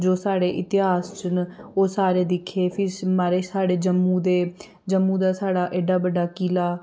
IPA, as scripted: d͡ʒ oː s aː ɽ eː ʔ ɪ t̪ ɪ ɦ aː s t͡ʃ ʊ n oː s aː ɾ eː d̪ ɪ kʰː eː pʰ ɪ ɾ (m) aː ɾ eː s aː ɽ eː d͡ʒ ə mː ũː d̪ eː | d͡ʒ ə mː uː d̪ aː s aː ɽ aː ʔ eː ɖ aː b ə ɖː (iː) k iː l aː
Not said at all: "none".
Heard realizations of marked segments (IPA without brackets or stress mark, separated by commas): m, aː